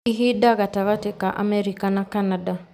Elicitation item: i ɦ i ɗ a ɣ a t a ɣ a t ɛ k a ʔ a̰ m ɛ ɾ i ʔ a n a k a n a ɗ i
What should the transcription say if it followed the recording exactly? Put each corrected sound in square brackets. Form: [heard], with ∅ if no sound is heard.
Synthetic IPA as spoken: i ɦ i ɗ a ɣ a t a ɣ a t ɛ k a ʔ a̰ m ɛ ɾ i [k] a n a k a n a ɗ [a]